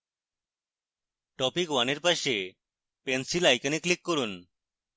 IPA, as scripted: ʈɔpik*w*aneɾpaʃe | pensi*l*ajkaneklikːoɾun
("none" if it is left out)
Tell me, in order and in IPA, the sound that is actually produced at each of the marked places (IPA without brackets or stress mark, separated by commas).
w, l